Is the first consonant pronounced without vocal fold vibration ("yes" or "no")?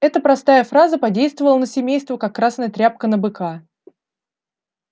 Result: yes